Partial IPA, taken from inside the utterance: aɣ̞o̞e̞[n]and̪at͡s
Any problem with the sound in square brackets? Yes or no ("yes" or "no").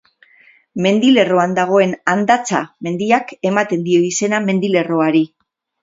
no